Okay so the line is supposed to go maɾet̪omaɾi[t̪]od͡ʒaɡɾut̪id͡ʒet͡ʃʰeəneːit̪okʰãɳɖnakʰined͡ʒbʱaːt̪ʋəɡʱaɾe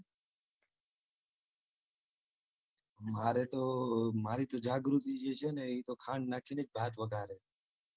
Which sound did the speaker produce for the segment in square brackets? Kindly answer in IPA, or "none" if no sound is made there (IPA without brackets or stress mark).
t̪